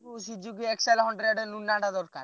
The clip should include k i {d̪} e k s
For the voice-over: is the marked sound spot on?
no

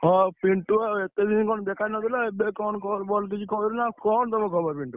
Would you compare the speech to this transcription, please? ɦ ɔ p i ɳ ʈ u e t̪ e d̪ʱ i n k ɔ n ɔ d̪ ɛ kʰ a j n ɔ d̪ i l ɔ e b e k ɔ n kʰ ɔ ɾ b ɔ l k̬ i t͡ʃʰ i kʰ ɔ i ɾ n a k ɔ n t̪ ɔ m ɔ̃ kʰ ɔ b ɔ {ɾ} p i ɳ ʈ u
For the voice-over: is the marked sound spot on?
yes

